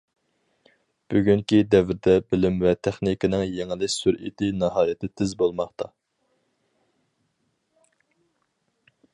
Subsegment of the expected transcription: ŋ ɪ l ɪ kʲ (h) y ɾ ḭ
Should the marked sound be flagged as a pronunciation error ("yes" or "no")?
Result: yes